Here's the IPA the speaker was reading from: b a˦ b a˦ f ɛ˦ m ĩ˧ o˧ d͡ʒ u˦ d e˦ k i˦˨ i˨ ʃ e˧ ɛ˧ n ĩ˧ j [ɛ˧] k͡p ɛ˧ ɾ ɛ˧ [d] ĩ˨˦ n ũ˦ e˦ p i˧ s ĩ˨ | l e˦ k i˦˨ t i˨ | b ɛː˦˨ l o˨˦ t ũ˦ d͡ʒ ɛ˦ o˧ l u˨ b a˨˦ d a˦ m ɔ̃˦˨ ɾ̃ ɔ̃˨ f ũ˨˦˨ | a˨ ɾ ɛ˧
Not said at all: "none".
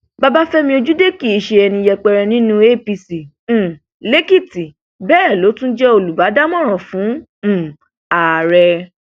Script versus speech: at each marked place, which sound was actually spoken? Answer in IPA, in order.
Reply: ɛ˧, n

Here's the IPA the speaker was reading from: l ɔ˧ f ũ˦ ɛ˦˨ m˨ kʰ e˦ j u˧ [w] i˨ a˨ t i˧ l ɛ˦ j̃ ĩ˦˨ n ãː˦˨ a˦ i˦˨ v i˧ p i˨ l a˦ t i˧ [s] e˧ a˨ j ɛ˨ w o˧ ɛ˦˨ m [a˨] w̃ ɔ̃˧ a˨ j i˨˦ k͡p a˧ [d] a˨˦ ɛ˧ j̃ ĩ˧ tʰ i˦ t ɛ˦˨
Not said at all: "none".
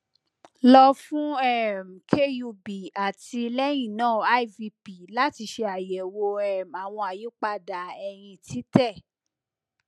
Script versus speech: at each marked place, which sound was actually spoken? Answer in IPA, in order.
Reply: b, ʃ, a˨, d

